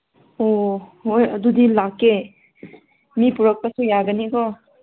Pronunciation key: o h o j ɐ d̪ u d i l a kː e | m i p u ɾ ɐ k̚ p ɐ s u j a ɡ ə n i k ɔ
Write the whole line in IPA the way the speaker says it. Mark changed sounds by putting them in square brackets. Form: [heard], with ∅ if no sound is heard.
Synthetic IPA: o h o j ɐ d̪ u d i l a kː e | m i p u ɾ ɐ k̚ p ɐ s u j a ɡ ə n i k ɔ